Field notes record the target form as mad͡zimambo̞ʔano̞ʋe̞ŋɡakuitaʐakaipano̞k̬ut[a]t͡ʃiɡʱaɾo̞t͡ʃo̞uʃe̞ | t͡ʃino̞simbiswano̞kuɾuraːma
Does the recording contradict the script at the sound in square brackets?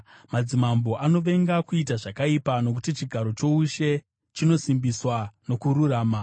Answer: yes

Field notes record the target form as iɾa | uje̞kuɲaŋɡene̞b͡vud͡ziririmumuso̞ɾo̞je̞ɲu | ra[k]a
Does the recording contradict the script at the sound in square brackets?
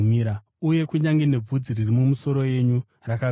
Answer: no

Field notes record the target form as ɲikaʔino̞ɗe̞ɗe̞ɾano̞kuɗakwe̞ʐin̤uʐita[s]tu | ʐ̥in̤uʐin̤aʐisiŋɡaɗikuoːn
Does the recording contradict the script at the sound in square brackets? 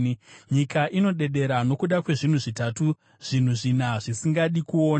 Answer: yes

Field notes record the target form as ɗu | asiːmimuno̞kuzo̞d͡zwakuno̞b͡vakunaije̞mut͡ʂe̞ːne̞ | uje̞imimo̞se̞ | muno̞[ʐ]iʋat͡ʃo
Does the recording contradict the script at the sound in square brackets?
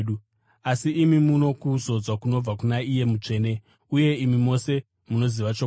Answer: yes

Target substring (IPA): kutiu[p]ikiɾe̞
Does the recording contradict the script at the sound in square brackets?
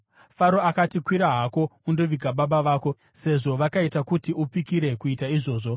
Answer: no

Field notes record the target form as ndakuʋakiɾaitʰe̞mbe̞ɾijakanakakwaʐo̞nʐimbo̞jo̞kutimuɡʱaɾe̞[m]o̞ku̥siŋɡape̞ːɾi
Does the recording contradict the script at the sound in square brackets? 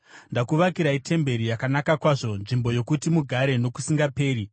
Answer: yes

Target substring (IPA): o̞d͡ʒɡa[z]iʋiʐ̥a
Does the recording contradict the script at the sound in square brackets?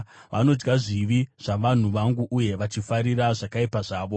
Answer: yes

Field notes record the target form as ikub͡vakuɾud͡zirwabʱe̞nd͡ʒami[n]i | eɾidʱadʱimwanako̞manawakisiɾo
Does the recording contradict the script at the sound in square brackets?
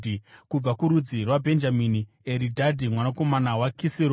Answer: no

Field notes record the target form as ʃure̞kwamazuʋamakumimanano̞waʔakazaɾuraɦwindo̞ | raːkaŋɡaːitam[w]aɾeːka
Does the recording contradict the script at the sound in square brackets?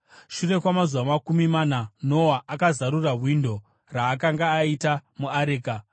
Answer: yes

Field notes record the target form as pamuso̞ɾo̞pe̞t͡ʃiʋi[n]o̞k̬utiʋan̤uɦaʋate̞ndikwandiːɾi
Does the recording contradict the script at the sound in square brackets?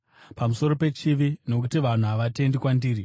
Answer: no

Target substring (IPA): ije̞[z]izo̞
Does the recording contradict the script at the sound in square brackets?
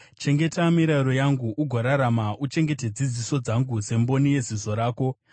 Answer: no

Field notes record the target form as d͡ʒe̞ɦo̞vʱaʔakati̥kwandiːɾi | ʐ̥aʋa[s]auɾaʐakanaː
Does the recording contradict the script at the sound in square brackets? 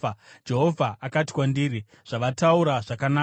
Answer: yes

